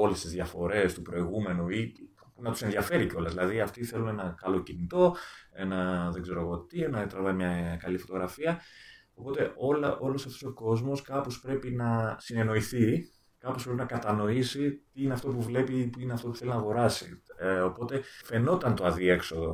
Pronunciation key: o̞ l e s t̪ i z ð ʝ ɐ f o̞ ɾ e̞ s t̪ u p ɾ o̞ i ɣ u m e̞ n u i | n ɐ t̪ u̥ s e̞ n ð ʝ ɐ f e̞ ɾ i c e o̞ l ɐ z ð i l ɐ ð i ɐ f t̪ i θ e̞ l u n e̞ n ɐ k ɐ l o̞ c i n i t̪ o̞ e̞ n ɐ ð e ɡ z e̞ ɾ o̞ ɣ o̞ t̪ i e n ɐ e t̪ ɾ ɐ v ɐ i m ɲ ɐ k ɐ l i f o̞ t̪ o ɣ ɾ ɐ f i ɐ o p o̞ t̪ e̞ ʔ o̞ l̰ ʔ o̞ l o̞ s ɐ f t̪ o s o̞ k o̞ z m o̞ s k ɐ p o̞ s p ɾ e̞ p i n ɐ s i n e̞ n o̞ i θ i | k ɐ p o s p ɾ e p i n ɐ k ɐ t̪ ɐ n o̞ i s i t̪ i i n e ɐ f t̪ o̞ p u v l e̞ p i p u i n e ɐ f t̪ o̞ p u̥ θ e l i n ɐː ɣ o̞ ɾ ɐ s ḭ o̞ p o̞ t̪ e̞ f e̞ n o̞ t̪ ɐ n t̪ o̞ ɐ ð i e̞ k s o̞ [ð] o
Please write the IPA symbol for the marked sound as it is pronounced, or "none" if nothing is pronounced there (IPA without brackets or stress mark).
ð